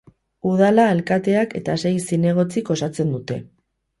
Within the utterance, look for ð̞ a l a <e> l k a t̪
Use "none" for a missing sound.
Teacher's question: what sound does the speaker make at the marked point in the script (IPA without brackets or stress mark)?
e